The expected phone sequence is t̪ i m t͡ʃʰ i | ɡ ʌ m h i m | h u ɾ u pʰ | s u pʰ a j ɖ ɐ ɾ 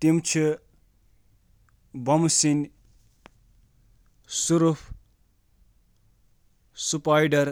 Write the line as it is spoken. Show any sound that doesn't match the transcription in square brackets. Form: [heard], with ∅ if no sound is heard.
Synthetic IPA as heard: t̪ i m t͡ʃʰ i | [b] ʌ m [s] i [n] | [s] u ɾ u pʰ | s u [p] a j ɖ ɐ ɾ